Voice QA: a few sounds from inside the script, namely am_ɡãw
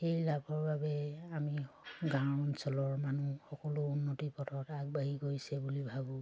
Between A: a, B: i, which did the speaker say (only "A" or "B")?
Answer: B